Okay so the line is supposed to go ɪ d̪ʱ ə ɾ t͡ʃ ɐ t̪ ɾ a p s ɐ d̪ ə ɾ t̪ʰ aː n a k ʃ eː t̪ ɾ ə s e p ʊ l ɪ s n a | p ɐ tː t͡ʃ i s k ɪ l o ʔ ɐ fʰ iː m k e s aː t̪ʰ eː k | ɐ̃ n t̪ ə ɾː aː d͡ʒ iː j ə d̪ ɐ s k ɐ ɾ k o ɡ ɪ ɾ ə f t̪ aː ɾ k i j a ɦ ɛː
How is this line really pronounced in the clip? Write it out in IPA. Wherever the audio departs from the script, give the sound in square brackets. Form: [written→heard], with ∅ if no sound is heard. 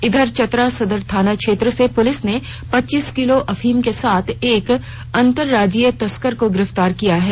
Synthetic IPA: ɪ d̪ʱ ə ɾ t͡ʃ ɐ t̪ ɾ a [p→∅] s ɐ d̪ ə ɾ t̪ʰ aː n a k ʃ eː t̪ ɾ ə s e p ʊ l ɪ s n [a→e] | p ɐ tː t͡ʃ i s k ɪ l o ʔ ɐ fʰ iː m k e s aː t̪ʰ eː k | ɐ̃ n t̪ ə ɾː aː d͡ʒ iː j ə [d̪→t̪] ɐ s k [ɐ→ə] ɾ k o ɡ ɪ ɾ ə f t̪ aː ɾ k i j a ɦ ɛː